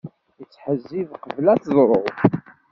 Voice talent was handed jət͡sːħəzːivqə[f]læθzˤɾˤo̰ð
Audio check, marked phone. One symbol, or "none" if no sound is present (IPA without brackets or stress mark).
v